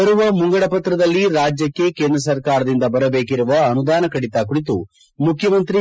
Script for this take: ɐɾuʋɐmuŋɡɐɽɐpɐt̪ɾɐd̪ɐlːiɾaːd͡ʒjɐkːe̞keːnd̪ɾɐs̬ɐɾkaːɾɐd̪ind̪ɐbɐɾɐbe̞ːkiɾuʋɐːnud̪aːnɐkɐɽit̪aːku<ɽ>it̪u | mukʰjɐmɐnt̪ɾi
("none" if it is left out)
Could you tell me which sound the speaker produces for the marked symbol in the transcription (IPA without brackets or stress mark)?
ɽ